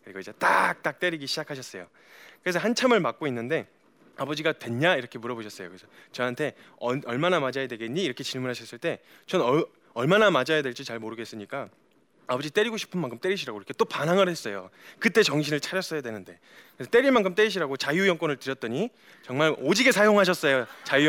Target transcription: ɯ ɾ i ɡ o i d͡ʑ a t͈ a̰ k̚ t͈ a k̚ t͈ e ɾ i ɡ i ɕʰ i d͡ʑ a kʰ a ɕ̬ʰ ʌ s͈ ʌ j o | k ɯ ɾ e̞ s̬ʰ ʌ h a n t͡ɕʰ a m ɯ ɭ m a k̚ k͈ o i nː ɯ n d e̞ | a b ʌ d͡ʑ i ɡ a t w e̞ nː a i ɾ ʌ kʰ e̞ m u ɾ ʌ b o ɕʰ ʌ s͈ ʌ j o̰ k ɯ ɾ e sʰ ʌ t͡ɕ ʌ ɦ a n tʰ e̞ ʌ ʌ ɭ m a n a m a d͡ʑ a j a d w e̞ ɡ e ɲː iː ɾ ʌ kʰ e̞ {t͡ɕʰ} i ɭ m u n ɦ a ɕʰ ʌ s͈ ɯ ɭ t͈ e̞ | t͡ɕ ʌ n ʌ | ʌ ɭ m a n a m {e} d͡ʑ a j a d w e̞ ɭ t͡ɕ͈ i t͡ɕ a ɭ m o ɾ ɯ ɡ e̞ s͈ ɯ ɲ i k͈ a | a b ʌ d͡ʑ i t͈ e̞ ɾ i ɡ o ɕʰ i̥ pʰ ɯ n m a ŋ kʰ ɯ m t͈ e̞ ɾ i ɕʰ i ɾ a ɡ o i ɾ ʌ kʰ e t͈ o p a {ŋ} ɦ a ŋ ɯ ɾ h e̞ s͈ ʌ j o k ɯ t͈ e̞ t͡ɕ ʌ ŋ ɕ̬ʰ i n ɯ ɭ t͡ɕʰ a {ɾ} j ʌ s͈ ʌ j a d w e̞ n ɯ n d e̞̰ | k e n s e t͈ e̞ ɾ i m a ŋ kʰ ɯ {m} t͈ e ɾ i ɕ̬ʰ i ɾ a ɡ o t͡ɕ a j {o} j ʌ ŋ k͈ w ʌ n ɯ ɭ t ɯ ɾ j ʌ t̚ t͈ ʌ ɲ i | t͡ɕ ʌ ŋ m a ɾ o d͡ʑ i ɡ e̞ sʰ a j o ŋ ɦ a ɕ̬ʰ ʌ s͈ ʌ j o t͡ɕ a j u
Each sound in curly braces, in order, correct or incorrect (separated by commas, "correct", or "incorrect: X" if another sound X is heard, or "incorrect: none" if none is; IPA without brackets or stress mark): incorrect: t͡ɕ, incorrect: a, incorrect: n, correct, correct, incorrect: u